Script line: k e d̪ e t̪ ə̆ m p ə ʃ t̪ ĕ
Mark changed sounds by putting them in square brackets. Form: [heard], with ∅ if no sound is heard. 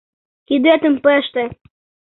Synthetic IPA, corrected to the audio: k [i] d̪ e t̪ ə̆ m p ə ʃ t̪ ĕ